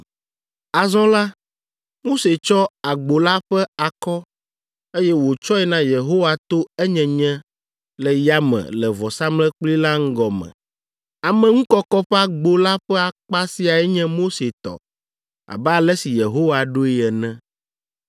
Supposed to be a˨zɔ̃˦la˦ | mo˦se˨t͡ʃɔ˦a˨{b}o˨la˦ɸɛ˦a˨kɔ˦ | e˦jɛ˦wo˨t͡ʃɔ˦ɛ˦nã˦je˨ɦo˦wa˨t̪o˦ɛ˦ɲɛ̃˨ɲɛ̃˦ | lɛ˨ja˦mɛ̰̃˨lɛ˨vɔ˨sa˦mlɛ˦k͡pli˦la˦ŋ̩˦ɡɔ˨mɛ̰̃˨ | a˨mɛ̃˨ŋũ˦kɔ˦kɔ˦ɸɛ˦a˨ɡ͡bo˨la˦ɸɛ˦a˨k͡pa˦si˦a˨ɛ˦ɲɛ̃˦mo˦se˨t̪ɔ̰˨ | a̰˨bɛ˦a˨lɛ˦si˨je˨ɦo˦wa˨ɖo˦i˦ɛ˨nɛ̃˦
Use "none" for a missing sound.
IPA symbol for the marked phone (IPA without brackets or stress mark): ɡ͡b